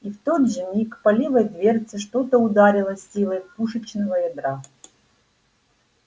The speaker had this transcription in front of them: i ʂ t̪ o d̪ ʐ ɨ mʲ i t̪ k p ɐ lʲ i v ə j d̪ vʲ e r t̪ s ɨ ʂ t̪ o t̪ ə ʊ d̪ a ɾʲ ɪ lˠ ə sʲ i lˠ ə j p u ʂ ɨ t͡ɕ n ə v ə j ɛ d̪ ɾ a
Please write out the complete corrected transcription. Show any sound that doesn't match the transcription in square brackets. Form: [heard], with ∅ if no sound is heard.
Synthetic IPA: i [f] t̪ o d̪ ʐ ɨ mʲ i [∅] k p ɐ lʲ i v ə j d̪ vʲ e r t̪ s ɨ ʂ t̪ o t̪ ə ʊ d̪ a ɾʲ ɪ lˠ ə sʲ i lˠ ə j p u ʂ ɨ t͡ɕ n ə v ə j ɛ d̪ ɾ a